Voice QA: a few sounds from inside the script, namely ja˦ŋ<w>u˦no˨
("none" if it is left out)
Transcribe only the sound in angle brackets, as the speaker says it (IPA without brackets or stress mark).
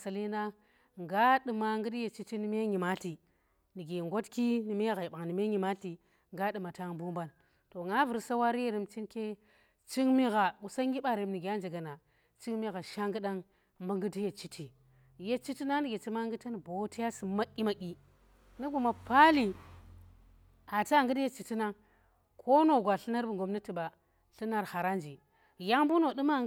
b